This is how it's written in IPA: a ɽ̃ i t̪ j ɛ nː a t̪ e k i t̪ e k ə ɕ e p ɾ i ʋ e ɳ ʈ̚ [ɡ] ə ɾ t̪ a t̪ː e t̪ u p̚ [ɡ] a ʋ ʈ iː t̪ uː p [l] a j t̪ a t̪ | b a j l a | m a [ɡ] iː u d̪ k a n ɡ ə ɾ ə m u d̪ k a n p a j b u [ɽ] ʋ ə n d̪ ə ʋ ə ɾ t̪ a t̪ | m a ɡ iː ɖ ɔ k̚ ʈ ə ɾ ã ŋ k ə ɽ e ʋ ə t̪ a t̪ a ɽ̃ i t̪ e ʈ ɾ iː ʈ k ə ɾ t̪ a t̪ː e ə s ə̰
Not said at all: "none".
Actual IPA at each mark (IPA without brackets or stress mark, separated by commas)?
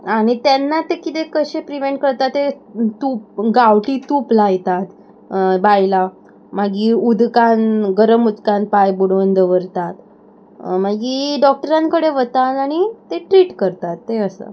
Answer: k, ɡ, l, ɡ, ɽ